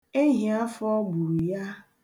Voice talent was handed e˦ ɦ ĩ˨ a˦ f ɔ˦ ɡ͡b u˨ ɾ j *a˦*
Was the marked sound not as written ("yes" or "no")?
no